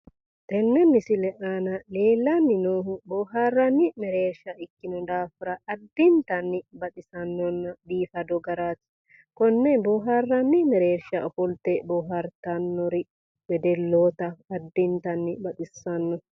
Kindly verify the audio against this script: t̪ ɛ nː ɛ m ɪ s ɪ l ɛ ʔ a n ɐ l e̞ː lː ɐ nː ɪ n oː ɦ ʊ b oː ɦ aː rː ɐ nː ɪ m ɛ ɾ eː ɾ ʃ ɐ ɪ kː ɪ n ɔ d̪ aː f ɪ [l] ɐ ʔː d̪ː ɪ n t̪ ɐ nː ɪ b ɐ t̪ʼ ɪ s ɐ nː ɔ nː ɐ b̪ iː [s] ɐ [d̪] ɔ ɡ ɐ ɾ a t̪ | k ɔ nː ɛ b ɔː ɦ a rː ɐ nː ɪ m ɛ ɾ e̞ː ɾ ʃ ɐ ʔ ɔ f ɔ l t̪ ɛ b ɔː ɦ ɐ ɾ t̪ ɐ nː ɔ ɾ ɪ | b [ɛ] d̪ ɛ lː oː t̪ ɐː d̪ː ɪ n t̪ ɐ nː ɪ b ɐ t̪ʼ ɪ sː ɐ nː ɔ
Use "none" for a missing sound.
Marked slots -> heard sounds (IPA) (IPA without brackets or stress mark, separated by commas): ɾ, f, d̪, ɛ